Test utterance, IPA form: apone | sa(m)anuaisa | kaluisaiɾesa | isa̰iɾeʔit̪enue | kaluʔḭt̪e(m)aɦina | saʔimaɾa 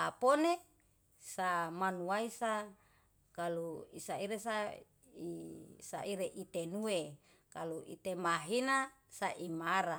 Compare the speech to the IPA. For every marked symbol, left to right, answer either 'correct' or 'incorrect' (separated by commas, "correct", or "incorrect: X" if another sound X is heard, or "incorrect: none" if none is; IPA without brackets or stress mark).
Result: correct, correct